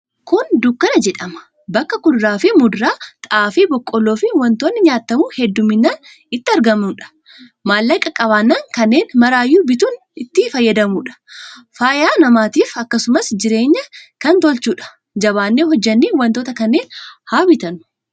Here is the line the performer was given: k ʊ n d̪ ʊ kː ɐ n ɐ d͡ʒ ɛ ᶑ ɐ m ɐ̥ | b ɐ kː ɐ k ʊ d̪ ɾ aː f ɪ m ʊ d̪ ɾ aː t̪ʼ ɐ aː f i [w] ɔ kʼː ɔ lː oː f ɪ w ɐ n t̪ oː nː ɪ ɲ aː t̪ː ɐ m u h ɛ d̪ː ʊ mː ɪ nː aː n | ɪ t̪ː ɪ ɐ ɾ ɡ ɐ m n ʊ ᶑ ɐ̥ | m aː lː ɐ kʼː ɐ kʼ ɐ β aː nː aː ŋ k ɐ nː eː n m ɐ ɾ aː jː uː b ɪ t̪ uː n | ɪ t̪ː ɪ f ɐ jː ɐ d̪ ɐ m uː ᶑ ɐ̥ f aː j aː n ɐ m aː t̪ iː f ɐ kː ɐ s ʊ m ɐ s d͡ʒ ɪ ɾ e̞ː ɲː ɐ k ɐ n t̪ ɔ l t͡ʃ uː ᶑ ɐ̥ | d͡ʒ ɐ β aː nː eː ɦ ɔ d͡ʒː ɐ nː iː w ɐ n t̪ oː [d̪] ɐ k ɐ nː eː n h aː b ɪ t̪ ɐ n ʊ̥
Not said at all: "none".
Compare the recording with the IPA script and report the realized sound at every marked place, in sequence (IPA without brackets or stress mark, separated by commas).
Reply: b, t̪